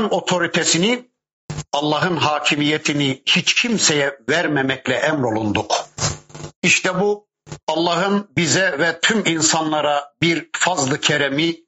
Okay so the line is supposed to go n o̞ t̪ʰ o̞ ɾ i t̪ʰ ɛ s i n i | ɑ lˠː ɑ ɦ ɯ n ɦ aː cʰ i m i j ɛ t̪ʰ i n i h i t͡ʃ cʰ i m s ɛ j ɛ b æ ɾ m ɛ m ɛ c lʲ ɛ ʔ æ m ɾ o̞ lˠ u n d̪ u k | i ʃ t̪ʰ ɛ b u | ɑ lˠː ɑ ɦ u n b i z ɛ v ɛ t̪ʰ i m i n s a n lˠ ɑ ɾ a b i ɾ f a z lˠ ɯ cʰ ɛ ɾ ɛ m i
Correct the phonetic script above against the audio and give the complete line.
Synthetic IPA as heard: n o̞ t̪ʰ o̞ ɾ i t̪ʰ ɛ s i n i | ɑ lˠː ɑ ɦ ɯ n ɦ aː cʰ i m i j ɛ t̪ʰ i n i h i t͡ʃ cʰ i m s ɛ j ɛ v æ ɾ m ɛ m ɛ c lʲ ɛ ʔ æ m ɾ o̞ lˠ u n d̪ u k | i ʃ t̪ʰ ɛ b u | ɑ lˠː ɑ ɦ ɯ n b i z ɛ v ɛ t̪ʰ y m i n s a n lˠ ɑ ɾ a b i ɾ f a z lˠ ɯ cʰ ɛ ɾ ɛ m i